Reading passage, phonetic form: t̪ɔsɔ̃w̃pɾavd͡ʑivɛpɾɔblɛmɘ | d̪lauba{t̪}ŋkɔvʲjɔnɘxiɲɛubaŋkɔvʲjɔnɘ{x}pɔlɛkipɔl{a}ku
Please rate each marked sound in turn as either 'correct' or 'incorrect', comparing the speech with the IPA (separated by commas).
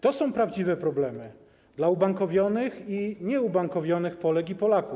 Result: incorrect, correct, correct